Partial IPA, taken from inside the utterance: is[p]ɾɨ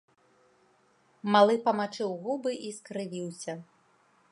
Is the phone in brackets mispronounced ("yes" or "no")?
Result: yes